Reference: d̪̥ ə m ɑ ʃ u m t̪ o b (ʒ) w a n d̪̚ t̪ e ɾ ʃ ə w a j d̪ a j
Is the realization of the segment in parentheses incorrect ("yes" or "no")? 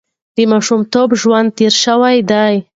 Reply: no